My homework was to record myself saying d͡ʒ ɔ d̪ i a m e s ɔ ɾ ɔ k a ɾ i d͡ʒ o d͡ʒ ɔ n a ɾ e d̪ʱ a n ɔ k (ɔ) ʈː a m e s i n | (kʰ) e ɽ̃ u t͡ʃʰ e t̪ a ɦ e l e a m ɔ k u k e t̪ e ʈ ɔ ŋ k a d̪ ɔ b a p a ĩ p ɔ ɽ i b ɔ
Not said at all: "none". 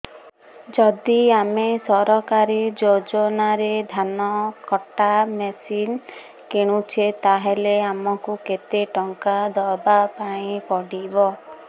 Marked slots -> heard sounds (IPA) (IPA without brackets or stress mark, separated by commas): ɔ, k